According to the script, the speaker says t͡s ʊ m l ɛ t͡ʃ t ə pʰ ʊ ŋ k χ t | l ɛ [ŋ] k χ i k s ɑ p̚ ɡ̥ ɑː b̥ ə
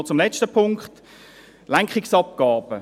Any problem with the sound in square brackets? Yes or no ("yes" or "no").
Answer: no